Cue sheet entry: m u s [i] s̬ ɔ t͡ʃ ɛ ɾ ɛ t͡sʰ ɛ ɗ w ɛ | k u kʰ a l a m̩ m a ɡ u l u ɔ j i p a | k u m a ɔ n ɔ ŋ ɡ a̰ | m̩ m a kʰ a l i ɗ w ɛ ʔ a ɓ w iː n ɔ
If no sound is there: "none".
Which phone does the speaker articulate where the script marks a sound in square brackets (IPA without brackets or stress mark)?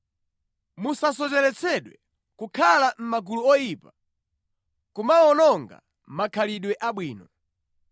a